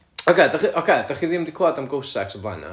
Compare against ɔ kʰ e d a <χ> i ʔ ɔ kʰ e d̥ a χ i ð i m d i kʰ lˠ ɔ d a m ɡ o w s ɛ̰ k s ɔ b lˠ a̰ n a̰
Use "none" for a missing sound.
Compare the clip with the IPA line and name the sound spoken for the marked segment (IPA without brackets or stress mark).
χ